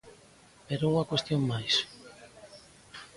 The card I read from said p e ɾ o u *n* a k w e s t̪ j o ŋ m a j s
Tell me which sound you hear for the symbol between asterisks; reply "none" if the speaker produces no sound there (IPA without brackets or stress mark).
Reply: ŋ